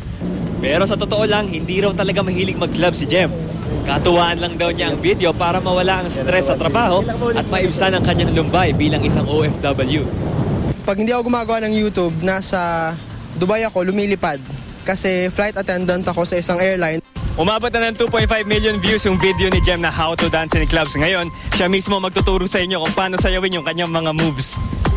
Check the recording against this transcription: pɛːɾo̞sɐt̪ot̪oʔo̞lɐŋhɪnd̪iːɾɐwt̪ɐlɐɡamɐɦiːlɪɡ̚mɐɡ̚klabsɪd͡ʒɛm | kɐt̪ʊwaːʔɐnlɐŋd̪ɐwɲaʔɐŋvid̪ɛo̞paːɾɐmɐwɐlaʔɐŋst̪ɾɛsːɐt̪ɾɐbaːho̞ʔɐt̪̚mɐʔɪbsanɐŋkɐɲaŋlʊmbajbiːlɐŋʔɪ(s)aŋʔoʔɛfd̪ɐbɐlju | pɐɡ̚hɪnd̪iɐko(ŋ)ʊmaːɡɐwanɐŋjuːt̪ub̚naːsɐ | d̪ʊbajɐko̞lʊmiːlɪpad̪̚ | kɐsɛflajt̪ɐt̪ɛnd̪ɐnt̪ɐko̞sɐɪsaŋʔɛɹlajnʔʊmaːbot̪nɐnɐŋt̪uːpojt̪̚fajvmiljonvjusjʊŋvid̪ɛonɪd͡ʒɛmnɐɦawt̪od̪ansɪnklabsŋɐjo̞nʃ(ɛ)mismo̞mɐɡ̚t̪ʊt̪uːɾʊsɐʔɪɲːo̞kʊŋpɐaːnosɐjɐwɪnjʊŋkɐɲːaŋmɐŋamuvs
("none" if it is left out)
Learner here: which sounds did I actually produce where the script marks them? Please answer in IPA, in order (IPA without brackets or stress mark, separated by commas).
s, ɡ, a